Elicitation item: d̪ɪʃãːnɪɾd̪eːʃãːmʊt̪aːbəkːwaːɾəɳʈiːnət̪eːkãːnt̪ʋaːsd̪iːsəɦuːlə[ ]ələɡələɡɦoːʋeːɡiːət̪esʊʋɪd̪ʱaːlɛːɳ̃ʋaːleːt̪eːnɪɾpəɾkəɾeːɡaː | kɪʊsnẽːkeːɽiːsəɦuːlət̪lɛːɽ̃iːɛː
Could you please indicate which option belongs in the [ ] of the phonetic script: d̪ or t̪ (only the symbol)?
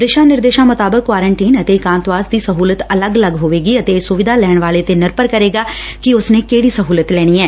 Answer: t̪